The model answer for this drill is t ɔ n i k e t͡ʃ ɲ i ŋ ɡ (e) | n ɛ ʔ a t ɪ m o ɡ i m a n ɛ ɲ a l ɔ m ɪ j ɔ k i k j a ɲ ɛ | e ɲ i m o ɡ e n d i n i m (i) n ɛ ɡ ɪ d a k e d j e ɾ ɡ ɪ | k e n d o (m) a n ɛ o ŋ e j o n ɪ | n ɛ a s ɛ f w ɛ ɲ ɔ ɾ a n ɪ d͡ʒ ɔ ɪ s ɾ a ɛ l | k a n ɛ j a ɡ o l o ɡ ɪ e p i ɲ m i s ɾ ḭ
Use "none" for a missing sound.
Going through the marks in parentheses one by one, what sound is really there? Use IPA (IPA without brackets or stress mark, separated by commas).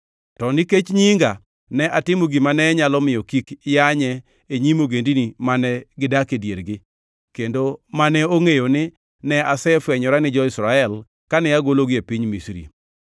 a, a, m